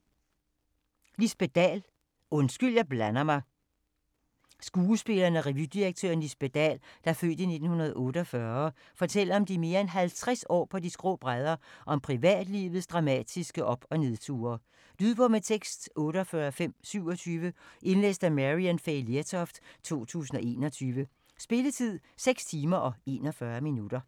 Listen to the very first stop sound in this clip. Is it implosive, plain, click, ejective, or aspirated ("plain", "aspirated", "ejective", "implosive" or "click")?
plain